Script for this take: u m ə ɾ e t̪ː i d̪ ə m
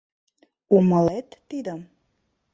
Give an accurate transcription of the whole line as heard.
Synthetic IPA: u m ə l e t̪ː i d̪ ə m

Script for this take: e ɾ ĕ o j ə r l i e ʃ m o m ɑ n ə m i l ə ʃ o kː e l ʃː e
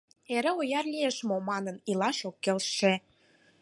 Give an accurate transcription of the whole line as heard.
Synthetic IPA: e ɾ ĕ o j ɑ r l i e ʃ m o m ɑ n ə n i l ɑ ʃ o kː e l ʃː e

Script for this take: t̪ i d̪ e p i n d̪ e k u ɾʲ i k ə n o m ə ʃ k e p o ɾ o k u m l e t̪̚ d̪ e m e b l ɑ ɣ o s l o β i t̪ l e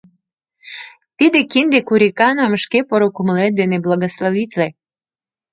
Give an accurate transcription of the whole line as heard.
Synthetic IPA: t̪ i d̪ e k i n d̪ e k u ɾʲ i k ɑ n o m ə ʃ k e p o ɾ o k u m l e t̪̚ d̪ e n e b l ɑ ɣ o s l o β i t̪ l e

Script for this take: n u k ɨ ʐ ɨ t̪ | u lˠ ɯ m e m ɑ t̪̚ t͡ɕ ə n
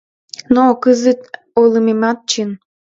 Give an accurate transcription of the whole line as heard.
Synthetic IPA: n o k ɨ z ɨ t̪ | o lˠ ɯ m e m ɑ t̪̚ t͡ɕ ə n

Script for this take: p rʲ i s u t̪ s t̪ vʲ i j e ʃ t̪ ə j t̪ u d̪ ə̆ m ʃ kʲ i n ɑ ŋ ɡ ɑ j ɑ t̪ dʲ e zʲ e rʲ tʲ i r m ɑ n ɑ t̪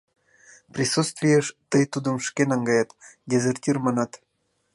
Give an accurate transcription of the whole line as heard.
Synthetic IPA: p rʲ i s u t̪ s t̪ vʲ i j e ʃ t̪ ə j t̪ u d̪ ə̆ m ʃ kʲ e n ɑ ŋ ɡ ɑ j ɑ t̪ dʲ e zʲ e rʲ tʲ i r m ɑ n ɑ t̪

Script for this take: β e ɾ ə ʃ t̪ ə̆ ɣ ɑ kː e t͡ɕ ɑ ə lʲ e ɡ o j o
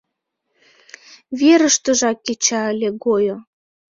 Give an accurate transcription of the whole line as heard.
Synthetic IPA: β e ɾ ə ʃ t̪ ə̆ ʒ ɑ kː e t͡ɕ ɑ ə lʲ e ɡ o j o

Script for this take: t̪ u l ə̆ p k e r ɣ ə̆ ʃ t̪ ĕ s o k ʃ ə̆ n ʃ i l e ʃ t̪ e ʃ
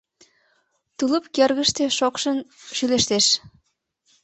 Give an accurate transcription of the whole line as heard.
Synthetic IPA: t̪ u l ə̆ p k e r ɣ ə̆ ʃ t̪ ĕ ʃ o k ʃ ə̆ n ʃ y l e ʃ t̪ e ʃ

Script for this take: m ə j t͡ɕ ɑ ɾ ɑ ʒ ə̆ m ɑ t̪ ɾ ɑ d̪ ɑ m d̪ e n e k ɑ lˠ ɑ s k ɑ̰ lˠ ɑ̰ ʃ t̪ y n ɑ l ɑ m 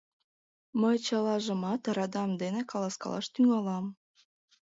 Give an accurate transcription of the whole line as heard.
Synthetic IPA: m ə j t͡ɕ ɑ l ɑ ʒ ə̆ m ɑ t̪ ɾ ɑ d̪ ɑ m d̪ e n e k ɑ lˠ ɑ s k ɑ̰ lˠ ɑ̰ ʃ t̪ y ŋ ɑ l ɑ m

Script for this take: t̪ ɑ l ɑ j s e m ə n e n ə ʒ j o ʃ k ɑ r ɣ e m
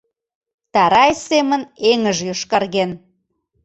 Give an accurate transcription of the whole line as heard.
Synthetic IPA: t̪ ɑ ɾ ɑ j s e m ə n e ŋ ə ʒ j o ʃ k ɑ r ɣ e n

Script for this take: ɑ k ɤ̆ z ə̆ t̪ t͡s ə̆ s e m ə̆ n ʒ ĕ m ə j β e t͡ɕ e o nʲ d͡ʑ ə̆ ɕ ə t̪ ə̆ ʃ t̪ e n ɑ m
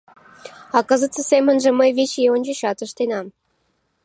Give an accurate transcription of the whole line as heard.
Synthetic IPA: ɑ k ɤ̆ z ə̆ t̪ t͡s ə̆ s e m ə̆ n ʒ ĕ m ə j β e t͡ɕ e o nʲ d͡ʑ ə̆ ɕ ɑ t̪ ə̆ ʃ t̪ e n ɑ m

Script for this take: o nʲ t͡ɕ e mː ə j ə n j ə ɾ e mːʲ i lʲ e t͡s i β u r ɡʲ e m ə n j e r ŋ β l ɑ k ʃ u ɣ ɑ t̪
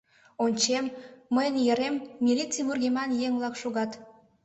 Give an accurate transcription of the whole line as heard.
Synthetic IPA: o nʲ t͡ɕ e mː ə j ə n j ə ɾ e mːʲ i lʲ i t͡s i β u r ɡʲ e m ɑ n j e ŋ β l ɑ k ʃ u ɣ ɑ t̪

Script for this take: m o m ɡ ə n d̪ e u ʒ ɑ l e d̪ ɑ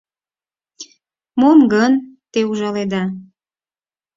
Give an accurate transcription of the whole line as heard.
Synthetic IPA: m o m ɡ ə n t̪ e u ʒ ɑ l e d̪ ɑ

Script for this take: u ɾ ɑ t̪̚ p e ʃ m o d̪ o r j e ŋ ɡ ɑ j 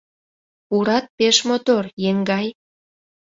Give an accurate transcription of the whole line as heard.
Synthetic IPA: u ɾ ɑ t̪̚ p e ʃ m o t̪ o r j e ŋ ɡ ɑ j

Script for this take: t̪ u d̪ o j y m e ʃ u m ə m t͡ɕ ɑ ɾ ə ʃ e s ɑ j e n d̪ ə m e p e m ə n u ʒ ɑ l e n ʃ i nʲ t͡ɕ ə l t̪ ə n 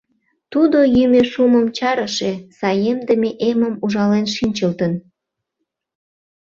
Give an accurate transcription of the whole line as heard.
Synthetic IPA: t̪ u d̪ o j y m e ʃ u m ə m t͡ɕ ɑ ɾ ə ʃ e s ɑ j e m d̪ ə m e ʔ e m ə m u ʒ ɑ l e n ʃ i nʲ t͡ɕ ə l t̪ ə n

